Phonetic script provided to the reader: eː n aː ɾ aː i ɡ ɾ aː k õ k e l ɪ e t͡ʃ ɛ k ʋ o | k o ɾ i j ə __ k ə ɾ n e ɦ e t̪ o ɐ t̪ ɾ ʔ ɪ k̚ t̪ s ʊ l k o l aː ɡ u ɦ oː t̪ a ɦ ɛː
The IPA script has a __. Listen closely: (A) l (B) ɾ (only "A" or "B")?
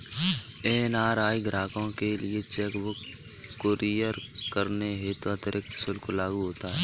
B